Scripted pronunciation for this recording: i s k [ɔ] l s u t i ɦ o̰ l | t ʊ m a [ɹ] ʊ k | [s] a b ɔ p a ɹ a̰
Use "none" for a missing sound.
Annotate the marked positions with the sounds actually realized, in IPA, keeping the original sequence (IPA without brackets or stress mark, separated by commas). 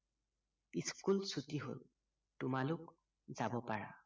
u, l, z